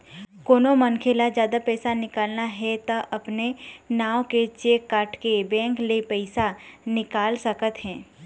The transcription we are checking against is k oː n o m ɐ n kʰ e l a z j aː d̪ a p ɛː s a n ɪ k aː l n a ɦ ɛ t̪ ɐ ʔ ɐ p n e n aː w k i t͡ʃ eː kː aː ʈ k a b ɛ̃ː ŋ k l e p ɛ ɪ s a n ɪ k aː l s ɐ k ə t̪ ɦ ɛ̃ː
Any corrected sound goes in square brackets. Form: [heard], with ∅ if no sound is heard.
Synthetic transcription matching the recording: k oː n o m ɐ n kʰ e l a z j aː d̪ a p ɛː s a n ɪ k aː l n a ɦ ɛ t̪ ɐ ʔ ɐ p n e n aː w k [e] t͡ʃ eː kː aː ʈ k [e] b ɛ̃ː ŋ k l e p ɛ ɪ s a n ɪ k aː l s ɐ k ə t̪ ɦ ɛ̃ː